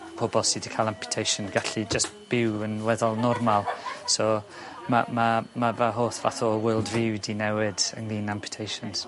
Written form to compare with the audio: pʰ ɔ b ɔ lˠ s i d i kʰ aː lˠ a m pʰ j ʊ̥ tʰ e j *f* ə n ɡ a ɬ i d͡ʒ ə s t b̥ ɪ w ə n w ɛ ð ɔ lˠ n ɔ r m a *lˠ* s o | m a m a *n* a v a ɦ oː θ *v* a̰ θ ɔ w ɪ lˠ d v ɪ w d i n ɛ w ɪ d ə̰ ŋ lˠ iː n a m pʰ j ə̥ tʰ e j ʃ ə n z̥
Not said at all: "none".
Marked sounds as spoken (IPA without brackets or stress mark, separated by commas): ʃ, lˠ, m, v